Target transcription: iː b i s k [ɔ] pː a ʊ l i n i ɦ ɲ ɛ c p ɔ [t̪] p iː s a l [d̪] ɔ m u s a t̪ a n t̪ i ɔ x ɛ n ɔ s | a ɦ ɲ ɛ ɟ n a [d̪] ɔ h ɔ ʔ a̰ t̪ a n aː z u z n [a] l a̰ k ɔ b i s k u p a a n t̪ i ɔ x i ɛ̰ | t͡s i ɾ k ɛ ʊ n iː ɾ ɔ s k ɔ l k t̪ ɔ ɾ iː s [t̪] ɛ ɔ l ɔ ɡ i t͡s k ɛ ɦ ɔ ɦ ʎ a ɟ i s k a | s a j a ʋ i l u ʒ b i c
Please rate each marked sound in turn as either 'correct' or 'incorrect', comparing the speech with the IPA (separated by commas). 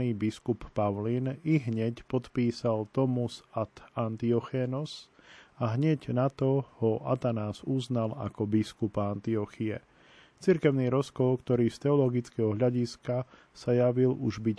incorrect, correct, incorrect, incorrect, correct, correct